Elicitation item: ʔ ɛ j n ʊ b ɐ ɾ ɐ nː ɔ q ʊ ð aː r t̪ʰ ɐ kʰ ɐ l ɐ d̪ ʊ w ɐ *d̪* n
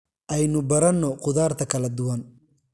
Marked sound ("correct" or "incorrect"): incorrect